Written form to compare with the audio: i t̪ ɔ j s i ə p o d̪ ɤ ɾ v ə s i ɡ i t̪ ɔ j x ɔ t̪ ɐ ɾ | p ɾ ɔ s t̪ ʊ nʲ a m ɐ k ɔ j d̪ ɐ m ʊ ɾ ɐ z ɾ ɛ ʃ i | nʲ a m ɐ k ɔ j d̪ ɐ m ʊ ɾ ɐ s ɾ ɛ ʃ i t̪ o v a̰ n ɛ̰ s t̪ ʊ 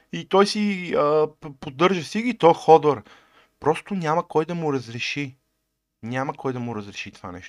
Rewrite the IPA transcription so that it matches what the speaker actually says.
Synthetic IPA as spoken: i t̪ ɔ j s i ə p o d̪ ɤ ɾ ʒ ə s i ɡ i t̪ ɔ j x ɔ d̪ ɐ ɾ | p ɾ ɔ s t̪ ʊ nʲ a m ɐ k ɔ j d̪ ɐ m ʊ ɾ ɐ z ɾ ɛ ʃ i | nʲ a m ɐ k ɔ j d̪ ɐ m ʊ ɾ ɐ z ɾ ɛ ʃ i t̪ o v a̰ n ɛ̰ ʃ t̪ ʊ